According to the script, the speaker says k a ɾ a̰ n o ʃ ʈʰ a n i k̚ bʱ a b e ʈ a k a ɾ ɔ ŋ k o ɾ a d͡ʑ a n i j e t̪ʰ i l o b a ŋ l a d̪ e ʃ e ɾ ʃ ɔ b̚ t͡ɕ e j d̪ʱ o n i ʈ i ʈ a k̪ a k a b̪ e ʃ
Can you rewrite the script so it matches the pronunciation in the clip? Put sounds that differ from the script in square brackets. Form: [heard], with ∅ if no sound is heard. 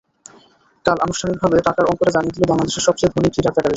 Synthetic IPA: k a [l] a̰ n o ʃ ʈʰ a n i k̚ bʱ a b e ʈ a k a ɾ ɔ ŋ k o ɾ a d͡ʑ a n i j e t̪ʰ i l o b a ŋ l a d̪ e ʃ e ɾ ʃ ɔ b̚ t͡ɕ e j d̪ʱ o n i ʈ i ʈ a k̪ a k a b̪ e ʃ